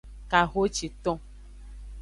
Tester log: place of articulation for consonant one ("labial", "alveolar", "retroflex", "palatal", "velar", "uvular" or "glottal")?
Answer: velar